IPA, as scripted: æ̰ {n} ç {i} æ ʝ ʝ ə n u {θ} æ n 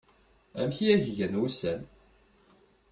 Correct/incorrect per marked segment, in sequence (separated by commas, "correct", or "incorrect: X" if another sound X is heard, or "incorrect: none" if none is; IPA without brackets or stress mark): incorrect: m, correct, incorrect: s